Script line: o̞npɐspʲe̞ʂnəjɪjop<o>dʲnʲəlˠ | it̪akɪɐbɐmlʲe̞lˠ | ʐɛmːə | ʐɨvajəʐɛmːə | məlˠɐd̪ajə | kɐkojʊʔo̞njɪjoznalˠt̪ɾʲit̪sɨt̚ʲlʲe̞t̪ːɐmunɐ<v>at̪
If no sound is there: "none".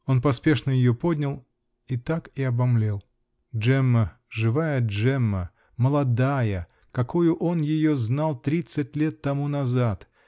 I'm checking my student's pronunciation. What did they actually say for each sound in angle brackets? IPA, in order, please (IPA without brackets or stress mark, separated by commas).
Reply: o, z